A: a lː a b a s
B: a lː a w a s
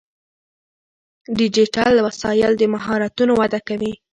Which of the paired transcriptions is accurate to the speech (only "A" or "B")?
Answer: B